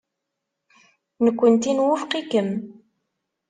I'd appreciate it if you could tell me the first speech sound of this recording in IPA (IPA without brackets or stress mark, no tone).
n